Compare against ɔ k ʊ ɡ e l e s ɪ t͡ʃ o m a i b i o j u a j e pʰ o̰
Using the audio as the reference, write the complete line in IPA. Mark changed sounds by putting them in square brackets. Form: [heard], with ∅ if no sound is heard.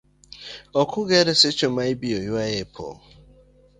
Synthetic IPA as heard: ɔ k ʊ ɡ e [ɾ] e s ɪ t͡ʃ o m a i b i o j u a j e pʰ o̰